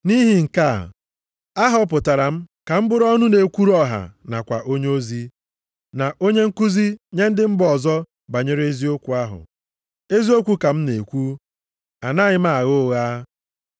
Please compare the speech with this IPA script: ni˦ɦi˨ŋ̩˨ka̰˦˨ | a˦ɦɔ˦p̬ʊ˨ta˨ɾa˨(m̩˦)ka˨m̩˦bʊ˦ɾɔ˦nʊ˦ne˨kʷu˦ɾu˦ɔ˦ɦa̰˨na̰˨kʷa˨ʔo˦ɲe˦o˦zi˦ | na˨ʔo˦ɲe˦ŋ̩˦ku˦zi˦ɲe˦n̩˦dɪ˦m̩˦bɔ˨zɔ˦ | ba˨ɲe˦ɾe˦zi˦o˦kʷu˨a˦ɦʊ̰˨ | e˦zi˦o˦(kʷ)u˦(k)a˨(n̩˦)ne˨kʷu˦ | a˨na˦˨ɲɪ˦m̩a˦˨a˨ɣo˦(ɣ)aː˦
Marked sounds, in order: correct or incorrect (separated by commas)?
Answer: correct, correct, correct, incorrect, correct